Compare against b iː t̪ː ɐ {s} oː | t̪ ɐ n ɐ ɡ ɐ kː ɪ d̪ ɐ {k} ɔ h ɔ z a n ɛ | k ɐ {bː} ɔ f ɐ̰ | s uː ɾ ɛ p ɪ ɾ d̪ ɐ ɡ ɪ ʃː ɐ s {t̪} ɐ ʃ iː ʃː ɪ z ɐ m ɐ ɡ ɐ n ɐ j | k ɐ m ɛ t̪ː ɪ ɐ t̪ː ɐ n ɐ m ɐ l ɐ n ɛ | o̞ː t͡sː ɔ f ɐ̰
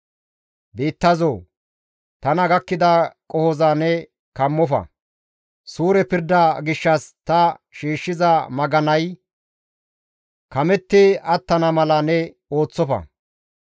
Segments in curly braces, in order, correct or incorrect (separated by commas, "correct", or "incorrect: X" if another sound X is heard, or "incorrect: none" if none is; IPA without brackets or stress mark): incorrect: z, incorrect: kʼ, incorrect: mː, correct